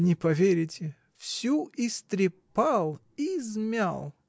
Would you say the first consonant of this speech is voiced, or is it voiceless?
voiced